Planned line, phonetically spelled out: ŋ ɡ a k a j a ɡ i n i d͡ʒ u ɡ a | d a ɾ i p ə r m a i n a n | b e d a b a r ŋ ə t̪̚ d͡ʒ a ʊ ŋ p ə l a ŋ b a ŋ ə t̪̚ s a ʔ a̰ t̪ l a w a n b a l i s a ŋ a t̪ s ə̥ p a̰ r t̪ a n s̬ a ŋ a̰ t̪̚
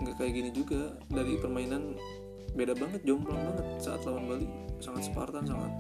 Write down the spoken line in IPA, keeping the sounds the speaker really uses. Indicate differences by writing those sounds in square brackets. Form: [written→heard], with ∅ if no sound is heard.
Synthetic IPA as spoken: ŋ ɡ a k a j a ɡ i n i d͡ʒ u ɡ a | d a ɾ i p ə r m a i n a n | b e d a b a [r→∅] ŋ ə t̪̚ d͡ʒ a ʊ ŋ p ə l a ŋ b a ŋ ə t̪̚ s a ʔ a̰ t̪ l a w a n b a l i s a ŋ a t̪ s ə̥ p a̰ r t̪ a n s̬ a ŋ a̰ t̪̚